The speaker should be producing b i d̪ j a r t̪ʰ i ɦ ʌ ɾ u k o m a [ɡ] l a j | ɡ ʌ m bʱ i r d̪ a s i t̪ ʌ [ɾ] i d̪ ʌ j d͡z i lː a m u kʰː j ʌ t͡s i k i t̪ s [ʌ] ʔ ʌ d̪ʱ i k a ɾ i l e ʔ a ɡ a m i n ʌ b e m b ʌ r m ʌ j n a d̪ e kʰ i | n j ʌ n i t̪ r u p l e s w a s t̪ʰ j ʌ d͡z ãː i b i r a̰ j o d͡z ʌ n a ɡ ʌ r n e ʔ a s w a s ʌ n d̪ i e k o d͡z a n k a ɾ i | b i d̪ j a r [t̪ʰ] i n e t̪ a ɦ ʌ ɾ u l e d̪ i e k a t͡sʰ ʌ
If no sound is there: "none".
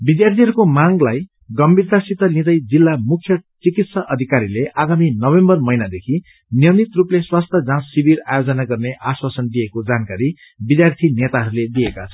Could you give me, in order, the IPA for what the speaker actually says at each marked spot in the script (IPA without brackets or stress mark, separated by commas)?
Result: ŋ, l, ʌ, t̪ʰ